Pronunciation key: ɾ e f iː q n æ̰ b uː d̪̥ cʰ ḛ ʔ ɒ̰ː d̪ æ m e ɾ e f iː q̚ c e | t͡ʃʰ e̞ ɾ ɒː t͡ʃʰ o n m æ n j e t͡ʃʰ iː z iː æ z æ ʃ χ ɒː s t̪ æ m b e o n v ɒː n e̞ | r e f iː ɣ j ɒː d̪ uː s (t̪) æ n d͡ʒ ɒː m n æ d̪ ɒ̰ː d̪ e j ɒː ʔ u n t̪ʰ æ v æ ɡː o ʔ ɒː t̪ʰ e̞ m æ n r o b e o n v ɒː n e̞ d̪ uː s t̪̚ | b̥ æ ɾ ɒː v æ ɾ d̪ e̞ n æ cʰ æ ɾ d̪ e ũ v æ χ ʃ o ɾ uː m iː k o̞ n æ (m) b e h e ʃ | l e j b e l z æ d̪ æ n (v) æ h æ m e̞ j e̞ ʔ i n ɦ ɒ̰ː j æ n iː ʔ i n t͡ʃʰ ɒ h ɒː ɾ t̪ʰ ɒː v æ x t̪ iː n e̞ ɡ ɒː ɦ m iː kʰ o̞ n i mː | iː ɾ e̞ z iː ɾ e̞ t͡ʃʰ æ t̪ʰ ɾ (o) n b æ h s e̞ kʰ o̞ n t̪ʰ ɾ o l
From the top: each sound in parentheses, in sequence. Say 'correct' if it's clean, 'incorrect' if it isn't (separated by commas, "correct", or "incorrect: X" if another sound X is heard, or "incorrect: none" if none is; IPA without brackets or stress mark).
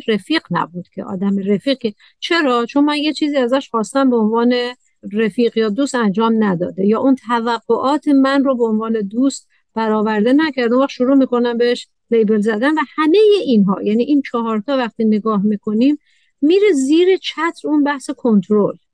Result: correct, correct, correct, incorrect: u